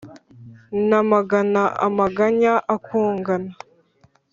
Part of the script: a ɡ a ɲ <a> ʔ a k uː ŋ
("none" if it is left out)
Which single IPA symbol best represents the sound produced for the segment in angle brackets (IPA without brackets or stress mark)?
a